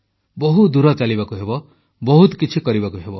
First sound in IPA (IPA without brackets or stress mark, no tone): b